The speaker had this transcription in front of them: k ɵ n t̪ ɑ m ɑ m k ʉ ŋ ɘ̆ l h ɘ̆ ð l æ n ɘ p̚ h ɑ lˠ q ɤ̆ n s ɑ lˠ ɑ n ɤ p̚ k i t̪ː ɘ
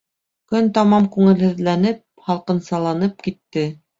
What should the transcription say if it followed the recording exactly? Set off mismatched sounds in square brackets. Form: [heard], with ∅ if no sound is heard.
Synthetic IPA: k ɵ n t̪ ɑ m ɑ m k ʉ ŋ ɘ̆ l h ɘ̆ ð l æ n ɘ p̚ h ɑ lˠ q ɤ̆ n s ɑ lˠ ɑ n ɤ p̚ k i t̪ː ɘ

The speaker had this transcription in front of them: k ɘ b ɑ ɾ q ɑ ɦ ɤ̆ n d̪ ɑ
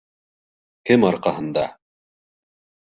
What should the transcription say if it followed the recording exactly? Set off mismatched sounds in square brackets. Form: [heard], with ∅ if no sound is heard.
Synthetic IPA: k ɘ [m] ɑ ɾ q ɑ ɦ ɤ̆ n d̪ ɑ

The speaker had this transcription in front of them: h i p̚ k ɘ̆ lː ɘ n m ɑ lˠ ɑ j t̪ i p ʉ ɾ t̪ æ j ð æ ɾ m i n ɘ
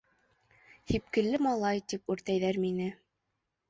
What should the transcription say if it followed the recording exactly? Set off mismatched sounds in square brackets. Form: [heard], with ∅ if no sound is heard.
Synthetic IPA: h i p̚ k ɘ̆ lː ɘ [∅] m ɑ lˠ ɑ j t̪ i p ʉ ɾ t̪ æ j ð æ ɾ m i n ɘ

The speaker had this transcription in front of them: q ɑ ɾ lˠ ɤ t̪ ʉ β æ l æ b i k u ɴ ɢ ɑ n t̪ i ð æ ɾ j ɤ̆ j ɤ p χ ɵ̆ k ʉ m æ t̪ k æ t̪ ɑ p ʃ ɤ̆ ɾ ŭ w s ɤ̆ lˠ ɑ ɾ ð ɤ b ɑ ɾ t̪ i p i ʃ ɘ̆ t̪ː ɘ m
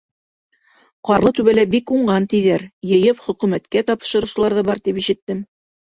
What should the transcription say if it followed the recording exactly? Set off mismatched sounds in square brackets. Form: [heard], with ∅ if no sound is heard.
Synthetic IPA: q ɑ ɾ lˠ ɤ t̪ ʉ β æ l æ b i k u ɴ ɢ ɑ n t̪ i ð æ ɾ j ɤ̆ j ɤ p χ ɵ̆ k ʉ m æ t̪ k æ t̪ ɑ p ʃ ɤ̆ ɾ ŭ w s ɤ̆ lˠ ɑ ɾ ð ɤ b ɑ ɾ t̪ i p i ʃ ɘ̆ t̪ː ɘ m

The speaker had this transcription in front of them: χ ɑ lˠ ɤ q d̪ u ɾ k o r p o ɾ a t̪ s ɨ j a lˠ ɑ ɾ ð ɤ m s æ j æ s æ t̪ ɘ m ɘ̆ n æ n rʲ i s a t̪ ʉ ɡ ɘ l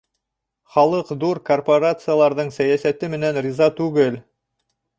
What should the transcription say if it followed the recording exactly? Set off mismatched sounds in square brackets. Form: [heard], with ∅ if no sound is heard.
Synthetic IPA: χ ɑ lˠ ɤ q d̪ u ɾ k o r p o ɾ a t̪ s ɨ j a lˠ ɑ ɾ ð ɤ [ɴ] s æ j æ s æ t̪ ɘ m ɘ̆ n æ n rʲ i [z] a t̪ ʉ ɡ ɘ l

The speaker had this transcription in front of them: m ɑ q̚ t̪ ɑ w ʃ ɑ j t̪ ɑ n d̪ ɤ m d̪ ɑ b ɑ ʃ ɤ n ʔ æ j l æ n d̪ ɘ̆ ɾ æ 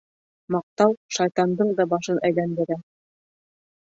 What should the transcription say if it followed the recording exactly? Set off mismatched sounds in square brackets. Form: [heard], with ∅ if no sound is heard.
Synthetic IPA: m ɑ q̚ t̪ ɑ w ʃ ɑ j t̪ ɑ n d̪ ɤ [ɴ] d̪ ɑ b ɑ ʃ ɤ n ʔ æ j l æ n d̪ ɘ̆ ɾ æ

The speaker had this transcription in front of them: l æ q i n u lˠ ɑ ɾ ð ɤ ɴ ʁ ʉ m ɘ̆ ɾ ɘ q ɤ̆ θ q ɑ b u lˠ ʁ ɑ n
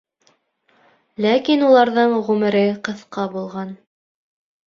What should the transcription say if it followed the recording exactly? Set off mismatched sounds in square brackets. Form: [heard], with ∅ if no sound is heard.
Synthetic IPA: l æ [k] i n u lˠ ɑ ɾ ð ɤ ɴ ʁ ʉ m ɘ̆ ɾ ɘ q ɤ̆ θ q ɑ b u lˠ ʁ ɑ n

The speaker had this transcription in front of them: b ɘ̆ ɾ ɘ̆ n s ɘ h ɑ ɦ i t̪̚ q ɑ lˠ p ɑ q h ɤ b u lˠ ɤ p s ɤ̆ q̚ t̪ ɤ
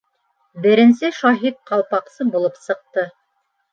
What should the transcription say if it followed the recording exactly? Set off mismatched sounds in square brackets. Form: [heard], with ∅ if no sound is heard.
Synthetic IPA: b ɘ̆ ɾ ɘ̆ n s ɘ [ʃ] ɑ ɦ i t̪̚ q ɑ lˠ p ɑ q [s] ɤ b u lˠ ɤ p s ɤ̆ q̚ t̪ ɤ

